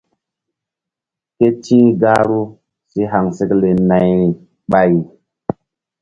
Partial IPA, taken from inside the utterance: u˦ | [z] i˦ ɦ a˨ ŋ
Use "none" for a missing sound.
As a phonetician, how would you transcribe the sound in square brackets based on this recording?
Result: s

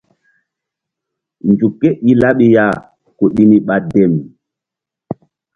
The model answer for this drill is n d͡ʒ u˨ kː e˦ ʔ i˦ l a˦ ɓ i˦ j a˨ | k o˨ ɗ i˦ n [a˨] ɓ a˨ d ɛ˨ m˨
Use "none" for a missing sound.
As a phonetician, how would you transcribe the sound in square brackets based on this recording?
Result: i˨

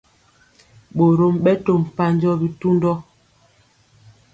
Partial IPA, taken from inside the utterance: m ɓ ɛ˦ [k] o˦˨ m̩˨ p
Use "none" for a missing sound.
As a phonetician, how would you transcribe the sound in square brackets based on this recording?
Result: t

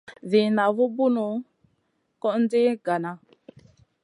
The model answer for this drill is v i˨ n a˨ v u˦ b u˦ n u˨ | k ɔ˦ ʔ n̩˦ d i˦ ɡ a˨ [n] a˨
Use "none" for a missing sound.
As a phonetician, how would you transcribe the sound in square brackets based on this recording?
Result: n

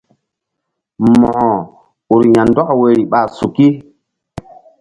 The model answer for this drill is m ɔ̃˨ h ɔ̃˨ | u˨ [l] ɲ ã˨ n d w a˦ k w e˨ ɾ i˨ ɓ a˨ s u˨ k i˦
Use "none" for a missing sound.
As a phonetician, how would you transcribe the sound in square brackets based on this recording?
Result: ɾ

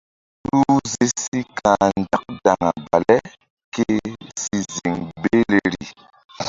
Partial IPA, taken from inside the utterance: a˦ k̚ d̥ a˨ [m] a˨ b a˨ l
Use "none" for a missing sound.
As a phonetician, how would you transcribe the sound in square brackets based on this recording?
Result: ŋ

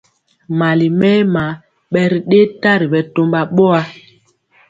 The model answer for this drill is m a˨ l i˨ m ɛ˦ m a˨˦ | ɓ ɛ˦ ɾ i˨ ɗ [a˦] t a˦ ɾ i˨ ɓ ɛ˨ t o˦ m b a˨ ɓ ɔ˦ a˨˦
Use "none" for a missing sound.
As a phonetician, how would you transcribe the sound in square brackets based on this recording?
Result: e˦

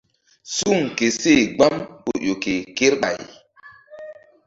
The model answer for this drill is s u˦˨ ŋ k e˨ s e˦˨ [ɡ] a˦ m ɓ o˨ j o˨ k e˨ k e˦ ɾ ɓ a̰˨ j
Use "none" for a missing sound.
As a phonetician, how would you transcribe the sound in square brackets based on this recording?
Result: ɡ͡b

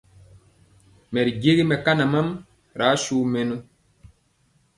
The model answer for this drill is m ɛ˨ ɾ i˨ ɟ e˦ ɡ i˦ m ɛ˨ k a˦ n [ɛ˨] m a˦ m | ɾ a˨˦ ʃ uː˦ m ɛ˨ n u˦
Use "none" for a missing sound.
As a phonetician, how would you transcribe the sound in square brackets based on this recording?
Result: a˨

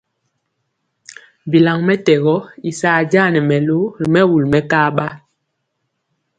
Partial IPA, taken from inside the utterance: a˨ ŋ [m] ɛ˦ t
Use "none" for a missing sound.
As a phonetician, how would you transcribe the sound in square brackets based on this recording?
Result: m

